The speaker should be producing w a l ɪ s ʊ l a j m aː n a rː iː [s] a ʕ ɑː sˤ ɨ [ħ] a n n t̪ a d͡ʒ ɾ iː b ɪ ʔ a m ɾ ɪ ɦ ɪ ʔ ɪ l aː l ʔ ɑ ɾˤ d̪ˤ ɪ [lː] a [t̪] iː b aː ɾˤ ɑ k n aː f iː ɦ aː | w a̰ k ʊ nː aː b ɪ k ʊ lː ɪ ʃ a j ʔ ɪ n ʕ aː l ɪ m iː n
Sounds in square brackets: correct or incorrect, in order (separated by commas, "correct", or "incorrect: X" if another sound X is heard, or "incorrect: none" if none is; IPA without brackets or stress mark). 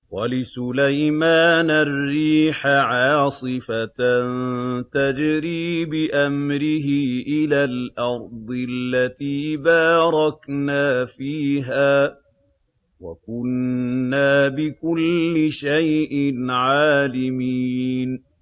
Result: incorrect: ħ, incorrect: f, correct, correct